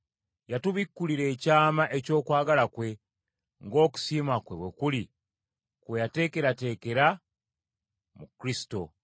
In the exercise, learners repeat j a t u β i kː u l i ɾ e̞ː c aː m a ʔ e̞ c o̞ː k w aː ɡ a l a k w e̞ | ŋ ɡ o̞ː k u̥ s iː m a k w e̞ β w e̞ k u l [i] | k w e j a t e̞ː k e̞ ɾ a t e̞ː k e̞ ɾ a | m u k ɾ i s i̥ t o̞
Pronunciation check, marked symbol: correct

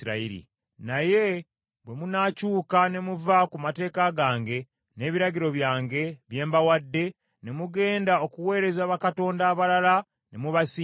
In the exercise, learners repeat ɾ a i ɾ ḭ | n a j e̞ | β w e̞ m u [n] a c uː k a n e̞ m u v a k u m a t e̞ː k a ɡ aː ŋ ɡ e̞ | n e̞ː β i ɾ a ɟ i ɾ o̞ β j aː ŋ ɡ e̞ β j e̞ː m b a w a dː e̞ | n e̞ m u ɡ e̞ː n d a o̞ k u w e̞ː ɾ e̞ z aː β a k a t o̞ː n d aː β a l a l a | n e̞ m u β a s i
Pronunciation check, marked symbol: correct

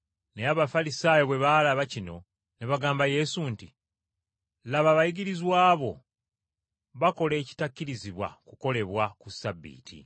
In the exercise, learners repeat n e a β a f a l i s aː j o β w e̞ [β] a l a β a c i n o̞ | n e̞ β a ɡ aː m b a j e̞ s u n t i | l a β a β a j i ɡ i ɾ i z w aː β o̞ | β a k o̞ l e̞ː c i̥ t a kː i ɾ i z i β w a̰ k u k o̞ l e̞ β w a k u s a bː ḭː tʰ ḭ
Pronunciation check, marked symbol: correct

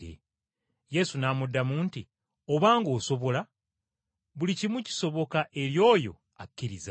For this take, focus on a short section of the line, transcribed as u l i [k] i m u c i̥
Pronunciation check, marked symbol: incorrect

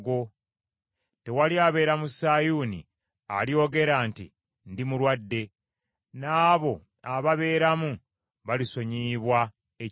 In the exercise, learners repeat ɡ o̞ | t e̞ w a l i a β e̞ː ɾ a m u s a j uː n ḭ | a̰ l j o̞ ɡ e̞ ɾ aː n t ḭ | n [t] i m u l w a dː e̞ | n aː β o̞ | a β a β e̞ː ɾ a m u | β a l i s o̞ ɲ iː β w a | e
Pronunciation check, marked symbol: incorrect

